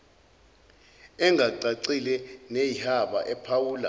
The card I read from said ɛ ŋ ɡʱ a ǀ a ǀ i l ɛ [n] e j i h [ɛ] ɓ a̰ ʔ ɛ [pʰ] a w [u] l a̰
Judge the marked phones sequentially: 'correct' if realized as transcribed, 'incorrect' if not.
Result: correct, incorrect: a, correct, incorrect: uː

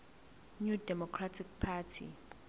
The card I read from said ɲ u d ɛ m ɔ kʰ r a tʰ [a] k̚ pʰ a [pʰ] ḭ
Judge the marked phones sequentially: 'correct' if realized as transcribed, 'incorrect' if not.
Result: incorrect: i, incorrect: tʰ

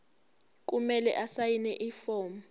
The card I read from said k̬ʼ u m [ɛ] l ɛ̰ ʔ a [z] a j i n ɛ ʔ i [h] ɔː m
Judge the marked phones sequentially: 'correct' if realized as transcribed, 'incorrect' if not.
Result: correct, incorrect: s, incorrect: f

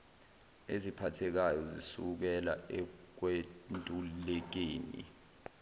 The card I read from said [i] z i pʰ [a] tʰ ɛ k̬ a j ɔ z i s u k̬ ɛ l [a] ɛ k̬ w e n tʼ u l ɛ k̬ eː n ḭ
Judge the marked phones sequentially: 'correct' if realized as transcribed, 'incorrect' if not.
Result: incorrect: e, correct, correct

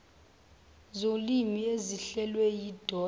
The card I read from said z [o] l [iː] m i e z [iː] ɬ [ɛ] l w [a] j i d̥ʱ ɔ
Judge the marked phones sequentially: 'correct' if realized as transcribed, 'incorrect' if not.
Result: correct, incorrect: i, incorrect: i, correct, incorrect: ɛ

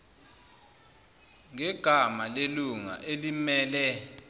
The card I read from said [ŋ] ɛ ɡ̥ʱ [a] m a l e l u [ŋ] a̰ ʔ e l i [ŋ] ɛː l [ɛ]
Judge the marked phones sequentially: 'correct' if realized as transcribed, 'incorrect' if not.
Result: correct, correct, correct, incorrect: m, correct

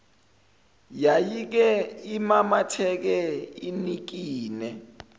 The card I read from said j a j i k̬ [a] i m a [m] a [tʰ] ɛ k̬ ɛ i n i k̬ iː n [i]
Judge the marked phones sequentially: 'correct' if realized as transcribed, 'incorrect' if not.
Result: incorrect: ɛ, correct, correct, incorrect: ɛ

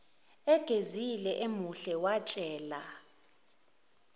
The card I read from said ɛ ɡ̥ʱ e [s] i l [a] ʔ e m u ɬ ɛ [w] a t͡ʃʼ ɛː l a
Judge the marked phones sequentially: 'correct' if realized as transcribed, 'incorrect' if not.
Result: incorrect: z, incorrect: ɛ, correct

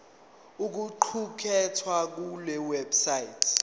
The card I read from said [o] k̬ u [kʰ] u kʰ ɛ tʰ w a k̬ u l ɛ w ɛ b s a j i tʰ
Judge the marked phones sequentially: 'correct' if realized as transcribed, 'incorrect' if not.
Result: incorrect: u, incorrect: ǃʰ

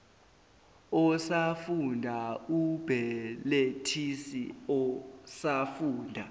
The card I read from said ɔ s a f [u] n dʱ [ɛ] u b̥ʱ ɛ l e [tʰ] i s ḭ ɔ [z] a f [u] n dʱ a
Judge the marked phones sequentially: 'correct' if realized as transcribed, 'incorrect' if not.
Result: correct, incorrect: a, correct, incorrect: s, incorrect: uː

